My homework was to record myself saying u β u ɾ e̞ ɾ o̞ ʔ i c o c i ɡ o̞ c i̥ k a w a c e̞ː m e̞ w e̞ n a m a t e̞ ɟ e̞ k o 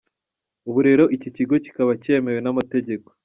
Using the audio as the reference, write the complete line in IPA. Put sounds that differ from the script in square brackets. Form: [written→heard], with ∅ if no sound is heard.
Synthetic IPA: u β u ɾ e̞ ɾ o̞ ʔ i c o c i ɡ o̞ c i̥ k a [w→β] a c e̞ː m e̞ w e̞ n a m a t e̞ ɟ e̞ k o

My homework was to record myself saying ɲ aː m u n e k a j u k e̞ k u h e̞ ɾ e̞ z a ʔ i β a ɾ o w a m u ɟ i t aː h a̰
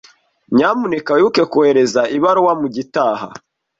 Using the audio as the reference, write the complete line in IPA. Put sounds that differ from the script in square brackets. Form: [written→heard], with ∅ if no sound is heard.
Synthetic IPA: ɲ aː m u n e k a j u k e̞ k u h e̞ ɾ e̞ z a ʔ i β a ɾ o w a m u ɟ i t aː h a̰

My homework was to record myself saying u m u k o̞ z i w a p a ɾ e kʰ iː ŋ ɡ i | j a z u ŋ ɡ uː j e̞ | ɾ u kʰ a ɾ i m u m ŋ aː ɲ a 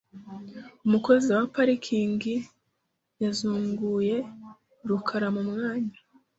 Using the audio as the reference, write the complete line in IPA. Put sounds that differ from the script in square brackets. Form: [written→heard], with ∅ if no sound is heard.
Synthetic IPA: u m u k o̞ z i w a p a ɾ [e→i] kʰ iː ŋ ɡ i | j a z [u→uː] ŋ ɡ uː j e̞ | ɾ u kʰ a ɾ [i→a] m u m ŋ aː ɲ a

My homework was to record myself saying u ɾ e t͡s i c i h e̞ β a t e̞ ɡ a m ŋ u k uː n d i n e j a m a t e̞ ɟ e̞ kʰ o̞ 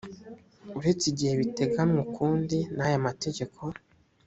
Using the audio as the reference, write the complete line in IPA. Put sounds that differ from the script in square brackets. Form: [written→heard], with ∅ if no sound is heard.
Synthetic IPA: u ɾ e t͡s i [c→ɟ] i h e̞ β [a→i] t e̞ ɡ a m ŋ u k uː n d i n [e→a] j a m a t e̞ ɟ e̞ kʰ o̞

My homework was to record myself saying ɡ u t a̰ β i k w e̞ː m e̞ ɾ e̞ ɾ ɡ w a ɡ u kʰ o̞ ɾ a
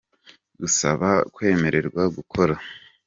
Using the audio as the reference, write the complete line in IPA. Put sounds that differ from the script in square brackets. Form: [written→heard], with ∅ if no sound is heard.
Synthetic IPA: ɡ u [t→s] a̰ β [i→a] k w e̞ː m e̞ ɾ e̞ ɾ ɡ w a ɡ u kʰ o̞ ɾ a

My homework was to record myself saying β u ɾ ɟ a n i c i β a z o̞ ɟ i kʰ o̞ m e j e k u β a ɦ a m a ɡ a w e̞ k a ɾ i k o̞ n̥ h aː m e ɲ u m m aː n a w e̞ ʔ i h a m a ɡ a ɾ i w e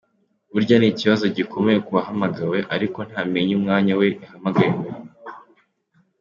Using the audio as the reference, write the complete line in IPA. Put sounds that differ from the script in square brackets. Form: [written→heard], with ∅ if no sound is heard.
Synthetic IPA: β u ɾ ɟ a n i c i β a z o̞ ɟ i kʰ o̞ m e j e k u β a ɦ a m a ɡ a w e̞ [k→ʔ] a ɾ i k o̞ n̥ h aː m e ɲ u m [m→ŋ] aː [n→ɲ] a w e̞ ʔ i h a m a ɡ a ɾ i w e

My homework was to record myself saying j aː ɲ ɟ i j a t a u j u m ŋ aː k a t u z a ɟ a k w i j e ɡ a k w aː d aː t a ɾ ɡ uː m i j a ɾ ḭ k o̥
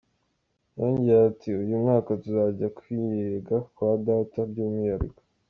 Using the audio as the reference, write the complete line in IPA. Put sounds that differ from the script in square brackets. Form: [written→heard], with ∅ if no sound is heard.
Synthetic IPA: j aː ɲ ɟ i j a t [a→i] u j u m ŋ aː k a t u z a ɟ a k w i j e ɡ a k w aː d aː t a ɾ [ɡ→ɟ] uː m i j a ɾ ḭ k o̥

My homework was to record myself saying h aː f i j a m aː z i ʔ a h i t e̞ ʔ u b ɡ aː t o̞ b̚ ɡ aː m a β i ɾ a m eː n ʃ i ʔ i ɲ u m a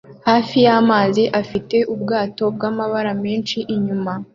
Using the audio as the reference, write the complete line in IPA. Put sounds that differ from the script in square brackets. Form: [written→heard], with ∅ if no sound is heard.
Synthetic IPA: h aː f i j a m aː z i ʔ a [h→f] i t e̞ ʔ u b ɡ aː t o̞ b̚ ɡ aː m a β [i→a] ɾ a m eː n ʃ i ʔ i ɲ u m a

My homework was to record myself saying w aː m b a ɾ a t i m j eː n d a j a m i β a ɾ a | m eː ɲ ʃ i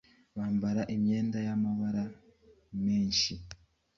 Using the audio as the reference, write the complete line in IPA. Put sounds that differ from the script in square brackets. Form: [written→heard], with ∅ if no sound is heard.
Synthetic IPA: [w→β] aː m b a ɾ a [t→ʔ] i m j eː n d a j a m [i→a] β a ɾ a | m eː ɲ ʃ i

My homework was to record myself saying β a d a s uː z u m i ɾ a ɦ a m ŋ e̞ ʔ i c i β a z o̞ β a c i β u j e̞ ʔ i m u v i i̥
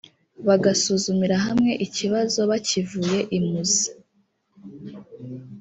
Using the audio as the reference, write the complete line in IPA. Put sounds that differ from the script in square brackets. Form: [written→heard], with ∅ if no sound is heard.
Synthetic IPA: β a [d→ɡ] a s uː z u m i ɾ a ɦ a m ŋ e̞ ʔ i c i β a z o̞ β a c i [β→v] u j e̞ ʔ i m u [v→z] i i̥

